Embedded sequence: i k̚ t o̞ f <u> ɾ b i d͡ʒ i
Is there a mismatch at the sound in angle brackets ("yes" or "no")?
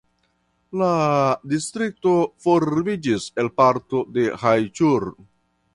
yes